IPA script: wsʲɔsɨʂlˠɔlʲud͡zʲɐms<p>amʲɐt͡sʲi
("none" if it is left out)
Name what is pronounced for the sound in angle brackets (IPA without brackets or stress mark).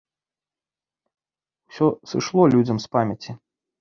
p